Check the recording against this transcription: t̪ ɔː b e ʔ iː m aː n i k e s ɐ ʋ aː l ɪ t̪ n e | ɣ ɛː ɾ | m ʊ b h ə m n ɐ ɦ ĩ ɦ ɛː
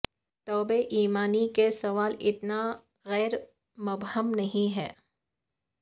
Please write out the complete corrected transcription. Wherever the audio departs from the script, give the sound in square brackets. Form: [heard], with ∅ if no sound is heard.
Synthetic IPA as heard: t̪ ɔː b e ʔ iː m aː n i k e s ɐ ʋ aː l ɪ t̪ n [a] | ɣ ɛː ɾ | m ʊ b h ə m n ɐ ɦ ĩ ɦ ɛː

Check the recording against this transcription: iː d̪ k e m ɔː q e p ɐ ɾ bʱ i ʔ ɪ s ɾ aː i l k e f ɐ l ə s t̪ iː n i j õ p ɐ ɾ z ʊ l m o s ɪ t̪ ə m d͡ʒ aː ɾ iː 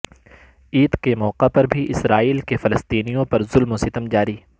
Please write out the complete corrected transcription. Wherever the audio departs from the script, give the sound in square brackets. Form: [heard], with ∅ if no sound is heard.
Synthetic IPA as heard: iː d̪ k e m ɔː q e p ɐ ɾ bʱ i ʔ ɪ s ɾ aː [iː] l k e f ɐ l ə s t̪ iː n i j õ p ɐ ɾ z ʊ l m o s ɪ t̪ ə m d͡ʒ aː ɾ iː

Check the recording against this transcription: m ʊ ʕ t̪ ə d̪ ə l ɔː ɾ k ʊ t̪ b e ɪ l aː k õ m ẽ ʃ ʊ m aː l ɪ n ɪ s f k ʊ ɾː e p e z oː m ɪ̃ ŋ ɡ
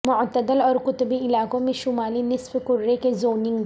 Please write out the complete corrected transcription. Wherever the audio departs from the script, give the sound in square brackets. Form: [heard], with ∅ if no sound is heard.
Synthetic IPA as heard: m ʊ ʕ t̪ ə d̪ ə l ɔː ɾ k ʊ t̪ b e ɪ l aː k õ m ẽ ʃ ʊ m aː l [i] n ɪ s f k ʊ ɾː e [k] e z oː [n] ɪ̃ ŋ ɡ

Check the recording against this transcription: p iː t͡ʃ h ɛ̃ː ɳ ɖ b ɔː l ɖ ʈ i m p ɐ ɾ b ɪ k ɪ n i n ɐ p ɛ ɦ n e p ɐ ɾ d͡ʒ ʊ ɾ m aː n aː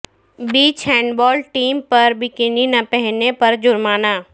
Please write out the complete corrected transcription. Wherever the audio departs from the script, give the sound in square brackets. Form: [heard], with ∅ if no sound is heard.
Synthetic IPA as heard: [b] iː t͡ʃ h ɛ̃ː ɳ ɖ b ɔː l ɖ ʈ [iː] m p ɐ ɾ b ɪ k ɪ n i n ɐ p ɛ ɦ n e p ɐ ɾ d͡ʒ ʊ ɾ m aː n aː

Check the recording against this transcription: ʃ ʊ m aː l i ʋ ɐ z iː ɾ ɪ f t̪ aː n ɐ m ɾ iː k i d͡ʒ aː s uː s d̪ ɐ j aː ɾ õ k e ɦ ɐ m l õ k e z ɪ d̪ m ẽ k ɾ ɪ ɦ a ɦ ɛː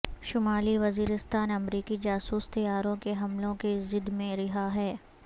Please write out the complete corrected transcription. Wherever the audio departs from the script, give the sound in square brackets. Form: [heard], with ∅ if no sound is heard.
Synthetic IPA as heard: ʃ ʊ m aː l i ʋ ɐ z iː ɾ ɪ [s] t̪ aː n ɐ m ɾ iː k i d͡ʒ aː s uː s [t̪] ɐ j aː ɾ õ k e ɦ ɐ m l õ k e z ɪ d̪ m ẽ [∅] ɾ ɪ ɦ a ɦ ɛː

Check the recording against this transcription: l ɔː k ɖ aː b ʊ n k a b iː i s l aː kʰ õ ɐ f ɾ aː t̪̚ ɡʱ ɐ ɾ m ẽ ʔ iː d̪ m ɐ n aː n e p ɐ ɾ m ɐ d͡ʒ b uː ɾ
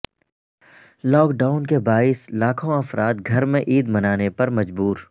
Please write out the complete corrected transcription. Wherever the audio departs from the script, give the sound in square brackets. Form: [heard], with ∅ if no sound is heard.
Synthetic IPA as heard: l ɔː k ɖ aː [∅] ʊ n k [e] b [aː] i s l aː kʰ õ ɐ f ɾ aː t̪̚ ɡʱ ɐ ɾ m ẽ ʔ iː d̪ m ɐ n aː n e p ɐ ɾ m ɐ d͡ʒ b uː ɾ

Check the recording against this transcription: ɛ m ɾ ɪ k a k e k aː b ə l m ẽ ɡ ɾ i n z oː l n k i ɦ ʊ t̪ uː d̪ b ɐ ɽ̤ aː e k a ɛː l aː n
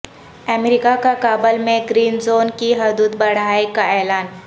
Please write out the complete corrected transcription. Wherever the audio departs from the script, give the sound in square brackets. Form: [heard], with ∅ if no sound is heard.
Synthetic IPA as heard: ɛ m ɾ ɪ k a k [a] k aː b ə l m ẽ ɡ ɾ [iː] n z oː [∅] n k i ɦ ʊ [d̪] uː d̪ b ɐ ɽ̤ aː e k a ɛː l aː n

